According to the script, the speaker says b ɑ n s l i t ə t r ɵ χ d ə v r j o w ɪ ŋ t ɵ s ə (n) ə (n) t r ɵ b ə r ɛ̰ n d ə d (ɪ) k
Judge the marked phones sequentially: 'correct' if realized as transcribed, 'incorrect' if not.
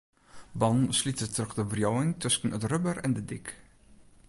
correct, incorrect, correct

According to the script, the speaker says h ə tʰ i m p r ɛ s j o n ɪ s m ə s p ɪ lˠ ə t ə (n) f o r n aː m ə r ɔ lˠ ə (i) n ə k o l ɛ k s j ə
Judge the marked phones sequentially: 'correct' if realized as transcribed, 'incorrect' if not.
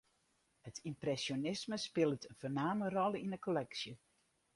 correct, correct

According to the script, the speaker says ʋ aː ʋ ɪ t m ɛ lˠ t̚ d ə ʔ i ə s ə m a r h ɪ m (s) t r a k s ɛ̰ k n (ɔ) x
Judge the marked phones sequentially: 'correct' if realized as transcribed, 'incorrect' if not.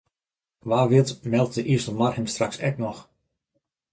correct, correct

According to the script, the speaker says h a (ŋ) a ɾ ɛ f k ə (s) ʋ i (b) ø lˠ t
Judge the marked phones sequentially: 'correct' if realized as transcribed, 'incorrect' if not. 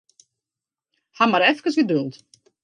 incorrect, correct, incorrect

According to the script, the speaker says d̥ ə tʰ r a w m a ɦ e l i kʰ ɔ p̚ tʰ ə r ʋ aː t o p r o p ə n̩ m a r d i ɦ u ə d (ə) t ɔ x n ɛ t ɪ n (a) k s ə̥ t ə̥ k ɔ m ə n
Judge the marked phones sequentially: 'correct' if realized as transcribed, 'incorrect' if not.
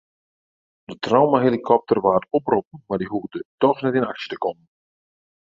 correct, correct

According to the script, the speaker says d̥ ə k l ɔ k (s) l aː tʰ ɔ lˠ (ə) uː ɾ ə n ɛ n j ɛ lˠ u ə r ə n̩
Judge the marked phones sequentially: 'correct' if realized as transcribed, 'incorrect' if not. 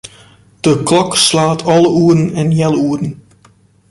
correct, correct

